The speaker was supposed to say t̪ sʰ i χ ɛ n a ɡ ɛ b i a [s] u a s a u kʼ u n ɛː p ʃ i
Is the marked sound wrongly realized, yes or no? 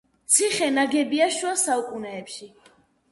yes